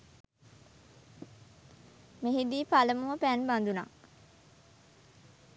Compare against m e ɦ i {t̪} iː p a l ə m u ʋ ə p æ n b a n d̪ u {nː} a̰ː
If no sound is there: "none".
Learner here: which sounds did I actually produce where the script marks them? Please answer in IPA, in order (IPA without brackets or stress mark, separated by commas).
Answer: d̪, n